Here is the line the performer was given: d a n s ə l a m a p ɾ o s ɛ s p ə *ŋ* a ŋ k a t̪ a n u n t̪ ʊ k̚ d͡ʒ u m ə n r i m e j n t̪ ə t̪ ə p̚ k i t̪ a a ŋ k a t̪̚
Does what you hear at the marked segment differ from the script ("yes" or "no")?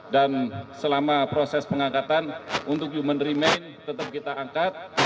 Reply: no